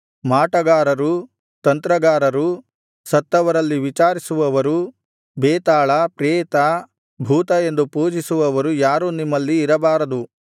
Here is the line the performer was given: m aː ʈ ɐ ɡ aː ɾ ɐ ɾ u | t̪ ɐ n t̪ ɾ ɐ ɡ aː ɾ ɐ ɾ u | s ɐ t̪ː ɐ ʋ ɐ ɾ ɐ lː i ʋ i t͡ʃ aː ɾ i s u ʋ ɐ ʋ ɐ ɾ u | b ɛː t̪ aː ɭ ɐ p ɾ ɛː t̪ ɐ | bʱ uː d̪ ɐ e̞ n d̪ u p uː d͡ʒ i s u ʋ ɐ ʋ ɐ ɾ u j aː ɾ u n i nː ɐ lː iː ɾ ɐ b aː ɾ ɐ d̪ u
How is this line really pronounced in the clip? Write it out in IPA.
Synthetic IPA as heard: m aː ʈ ɐ ɡ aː ɾ ɐ ɾ u | t̪ ɐ n t̪ ɾ ɐ ɡ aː ɾ ɐ ɾ u | s ɐ t̪ː ɐ ʋ ɐ ɾ ɐ lː i ʋ i t͡ʃ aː ɾ i s u ʋ ɐ ʋ ɐ ɾ u | b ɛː t̪ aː ɭ ɐ p ɾ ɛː t̪ ɐ | bʱ uː t̪ ɐ e̞ n d̪ u p uː d͡ʒ i s u ʋ ɐ ʋ ɐ ɾ u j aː ɾ u n i mː ɐ lː iː ɾ ɐ b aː ɾ ɐ d̪ u